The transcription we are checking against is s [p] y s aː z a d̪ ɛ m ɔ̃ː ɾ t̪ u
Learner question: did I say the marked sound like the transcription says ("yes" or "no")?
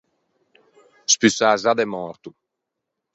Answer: yes